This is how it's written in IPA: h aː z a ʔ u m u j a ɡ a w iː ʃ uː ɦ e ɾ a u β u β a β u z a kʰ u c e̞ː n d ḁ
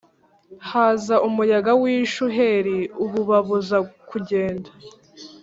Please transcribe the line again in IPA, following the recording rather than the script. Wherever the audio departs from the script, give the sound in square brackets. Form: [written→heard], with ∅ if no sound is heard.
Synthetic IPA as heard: h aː z a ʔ u m u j a ɡ a w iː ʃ [uː→u] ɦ e ɾ [a→i] u β u β a β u z a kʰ u [c→ɟ] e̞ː n d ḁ